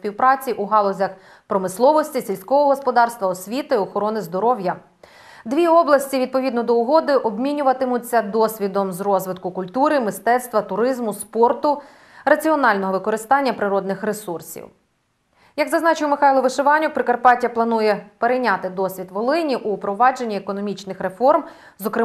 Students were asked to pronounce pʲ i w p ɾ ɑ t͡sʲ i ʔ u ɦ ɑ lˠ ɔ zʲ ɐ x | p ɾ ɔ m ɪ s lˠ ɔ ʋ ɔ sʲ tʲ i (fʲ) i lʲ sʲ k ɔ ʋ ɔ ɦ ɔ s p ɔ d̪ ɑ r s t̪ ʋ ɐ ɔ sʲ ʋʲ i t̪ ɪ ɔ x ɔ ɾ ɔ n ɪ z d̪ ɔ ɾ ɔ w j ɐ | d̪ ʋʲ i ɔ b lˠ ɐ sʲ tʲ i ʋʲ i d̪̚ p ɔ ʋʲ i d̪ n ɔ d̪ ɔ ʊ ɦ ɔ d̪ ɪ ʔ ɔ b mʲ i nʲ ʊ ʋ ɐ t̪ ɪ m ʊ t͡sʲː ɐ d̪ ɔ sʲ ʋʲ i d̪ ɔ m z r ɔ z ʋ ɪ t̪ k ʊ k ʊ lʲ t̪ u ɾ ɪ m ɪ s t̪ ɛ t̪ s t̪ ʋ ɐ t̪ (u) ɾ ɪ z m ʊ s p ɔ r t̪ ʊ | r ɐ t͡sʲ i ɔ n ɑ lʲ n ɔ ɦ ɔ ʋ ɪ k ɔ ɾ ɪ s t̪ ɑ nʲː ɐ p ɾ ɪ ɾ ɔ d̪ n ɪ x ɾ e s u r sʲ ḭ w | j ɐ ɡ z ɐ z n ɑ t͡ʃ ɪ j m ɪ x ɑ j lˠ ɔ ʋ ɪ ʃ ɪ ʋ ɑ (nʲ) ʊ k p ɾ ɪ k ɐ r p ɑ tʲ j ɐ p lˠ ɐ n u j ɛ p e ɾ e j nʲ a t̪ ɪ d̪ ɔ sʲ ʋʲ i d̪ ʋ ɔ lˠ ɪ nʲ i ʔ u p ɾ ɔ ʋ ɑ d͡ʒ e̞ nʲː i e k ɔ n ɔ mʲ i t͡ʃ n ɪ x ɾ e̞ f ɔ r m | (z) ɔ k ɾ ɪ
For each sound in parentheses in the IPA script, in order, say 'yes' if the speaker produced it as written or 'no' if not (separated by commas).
no, no, yes, yes